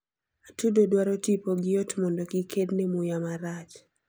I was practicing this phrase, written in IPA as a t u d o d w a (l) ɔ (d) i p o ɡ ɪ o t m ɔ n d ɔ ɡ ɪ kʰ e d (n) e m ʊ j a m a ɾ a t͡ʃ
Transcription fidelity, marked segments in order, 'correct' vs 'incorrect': incorrect: ɾ, incorrect: t, correct

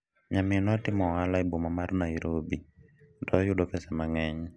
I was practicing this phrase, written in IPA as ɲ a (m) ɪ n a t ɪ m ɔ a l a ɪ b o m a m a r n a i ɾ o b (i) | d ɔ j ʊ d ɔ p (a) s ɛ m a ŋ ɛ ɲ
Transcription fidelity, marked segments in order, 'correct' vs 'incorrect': correct, correct, incorrect: ɛ

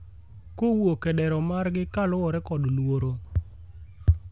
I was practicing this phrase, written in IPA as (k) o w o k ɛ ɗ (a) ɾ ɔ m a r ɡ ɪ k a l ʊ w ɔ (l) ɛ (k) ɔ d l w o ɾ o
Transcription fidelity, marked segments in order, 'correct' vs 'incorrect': correct, incorrect: ɛ, incorrect: ɾ, correct

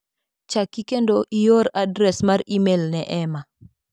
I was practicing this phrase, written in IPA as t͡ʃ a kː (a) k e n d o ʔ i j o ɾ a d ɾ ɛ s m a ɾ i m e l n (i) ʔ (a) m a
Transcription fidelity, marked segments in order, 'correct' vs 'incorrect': incorrect: i, incorrect: ɛ, incorrect: ɛ

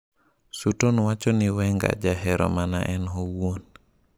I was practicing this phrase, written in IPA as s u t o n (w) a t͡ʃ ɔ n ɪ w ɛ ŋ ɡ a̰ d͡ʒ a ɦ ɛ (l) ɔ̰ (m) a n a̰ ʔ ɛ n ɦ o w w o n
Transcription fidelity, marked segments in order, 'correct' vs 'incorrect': correct, incorrect: ɾ, correct

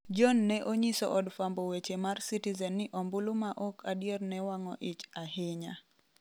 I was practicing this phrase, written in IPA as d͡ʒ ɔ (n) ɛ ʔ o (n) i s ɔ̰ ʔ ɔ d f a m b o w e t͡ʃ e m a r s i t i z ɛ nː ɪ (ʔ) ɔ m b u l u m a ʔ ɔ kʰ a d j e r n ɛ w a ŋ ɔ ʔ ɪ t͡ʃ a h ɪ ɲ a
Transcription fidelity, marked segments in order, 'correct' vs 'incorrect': incorrect: nː, incorrect: ɲ, correct

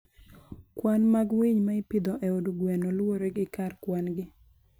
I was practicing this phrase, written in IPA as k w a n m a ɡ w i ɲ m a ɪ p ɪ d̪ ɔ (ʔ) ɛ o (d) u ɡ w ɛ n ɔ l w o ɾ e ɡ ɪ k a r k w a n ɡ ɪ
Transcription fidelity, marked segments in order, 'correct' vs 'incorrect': correct, correct

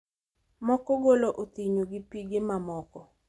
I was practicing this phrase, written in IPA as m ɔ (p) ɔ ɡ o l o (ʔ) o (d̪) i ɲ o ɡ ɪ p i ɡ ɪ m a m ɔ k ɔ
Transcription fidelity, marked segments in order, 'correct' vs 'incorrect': incorrect: k, correct, incorrect: t̪

